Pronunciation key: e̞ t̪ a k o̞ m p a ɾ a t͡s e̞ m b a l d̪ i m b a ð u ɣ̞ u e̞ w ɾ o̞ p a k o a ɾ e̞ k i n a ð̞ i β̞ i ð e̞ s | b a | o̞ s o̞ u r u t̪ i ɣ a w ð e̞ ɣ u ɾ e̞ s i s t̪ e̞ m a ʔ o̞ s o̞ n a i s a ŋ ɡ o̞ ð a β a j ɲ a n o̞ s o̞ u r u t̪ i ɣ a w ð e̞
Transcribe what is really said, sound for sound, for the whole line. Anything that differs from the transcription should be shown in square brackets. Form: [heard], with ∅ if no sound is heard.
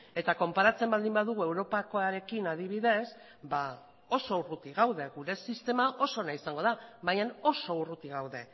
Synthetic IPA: e̞ t̪ a k o̞ m p a ɾ a t͡s e̞ m b a l d̪ i m b a ð u ɣ̞ u e̞ w ɾ o̞ p a k o a ɾ e̞ k i n a ð̞ i β̞ i ð e̞ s | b a | o̞ s o̞ u r u t̪ i ɣ a w ð e̞ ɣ u ɾ e̞ s i s t̪ e̞ m a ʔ o̞ s o̞ n a i s a ŋ ɡ o̞ ð a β a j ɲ a n o̞ s o̞ u r u t̪ i ɣ a w ð e̞